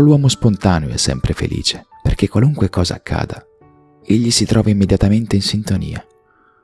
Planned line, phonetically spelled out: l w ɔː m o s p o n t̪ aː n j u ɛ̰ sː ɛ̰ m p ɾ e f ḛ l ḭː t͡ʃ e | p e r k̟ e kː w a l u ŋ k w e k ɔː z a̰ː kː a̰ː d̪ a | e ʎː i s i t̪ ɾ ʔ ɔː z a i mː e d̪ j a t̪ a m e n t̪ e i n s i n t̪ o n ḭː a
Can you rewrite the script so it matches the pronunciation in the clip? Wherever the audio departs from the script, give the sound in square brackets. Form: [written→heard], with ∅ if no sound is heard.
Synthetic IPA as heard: l w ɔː m o s p o n t̪ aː n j [u→o] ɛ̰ sː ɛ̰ m p ɾ e f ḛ l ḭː t͡ʃ e | p e r k̟ e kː w a l u ŋ k w e k ɔː z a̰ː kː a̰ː d̪ a | e ʎː i s i t̪ ɾ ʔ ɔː [z→v] a i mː e d̪ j a t̪ a m e n t̪ e i n s i n t̪ o n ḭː a